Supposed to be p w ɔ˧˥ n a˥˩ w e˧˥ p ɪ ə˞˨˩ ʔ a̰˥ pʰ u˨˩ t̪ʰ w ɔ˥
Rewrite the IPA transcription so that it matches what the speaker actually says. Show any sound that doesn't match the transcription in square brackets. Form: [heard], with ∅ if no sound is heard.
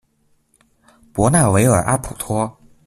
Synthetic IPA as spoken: p w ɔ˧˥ n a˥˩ w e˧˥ [∅] ɪ ə˞˨˩ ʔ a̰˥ pʰ u˨˩ t̪ʰ w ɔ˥